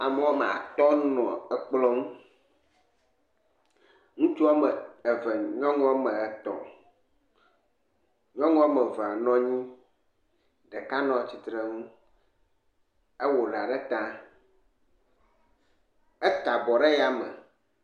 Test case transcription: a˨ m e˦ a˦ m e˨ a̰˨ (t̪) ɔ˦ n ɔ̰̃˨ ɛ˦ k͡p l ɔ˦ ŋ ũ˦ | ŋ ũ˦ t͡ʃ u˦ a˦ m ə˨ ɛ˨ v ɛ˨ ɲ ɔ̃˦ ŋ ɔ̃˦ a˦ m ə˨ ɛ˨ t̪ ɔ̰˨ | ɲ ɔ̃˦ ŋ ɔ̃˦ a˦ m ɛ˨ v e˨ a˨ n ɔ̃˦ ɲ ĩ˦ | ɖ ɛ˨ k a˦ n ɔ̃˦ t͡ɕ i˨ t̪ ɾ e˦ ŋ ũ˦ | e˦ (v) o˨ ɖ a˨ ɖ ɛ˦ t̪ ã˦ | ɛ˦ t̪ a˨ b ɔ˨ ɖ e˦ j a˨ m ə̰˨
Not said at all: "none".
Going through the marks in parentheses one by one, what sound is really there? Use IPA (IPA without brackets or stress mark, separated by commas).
t̪, w